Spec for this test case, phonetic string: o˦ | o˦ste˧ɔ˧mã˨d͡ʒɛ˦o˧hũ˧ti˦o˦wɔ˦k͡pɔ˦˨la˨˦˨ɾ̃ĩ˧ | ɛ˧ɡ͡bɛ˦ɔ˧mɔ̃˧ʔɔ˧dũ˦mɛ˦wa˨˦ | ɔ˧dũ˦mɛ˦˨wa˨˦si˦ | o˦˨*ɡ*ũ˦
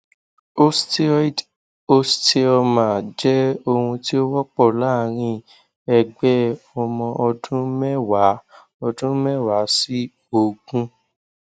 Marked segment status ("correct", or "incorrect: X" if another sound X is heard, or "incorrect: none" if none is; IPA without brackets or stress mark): correct